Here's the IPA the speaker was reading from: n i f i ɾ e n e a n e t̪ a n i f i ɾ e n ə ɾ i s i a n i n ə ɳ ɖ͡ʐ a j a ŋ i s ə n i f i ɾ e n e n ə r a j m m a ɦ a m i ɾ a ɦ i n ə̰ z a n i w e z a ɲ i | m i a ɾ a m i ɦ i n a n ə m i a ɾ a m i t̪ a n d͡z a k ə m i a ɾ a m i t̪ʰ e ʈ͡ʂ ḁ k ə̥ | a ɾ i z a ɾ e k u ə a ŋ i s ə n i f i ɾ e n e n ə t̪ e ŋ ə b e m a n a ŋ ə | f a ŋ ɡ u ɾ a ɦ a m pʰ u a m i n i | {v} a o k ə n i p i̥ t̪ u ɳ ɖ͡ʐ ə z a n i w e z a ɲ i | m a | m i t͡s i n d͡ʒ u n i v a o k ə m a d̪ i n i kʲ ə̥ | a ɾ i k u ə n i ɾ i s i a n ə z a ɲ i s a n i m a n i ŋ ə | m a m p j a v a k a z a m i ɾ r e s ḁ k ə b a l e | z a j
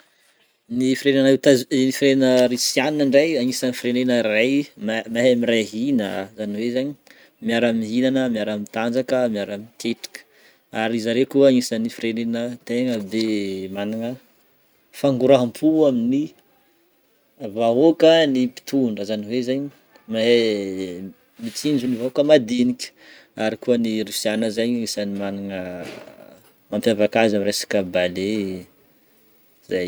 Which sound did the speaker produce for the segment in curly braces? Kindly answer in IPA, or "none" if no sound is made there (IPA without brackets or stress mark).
v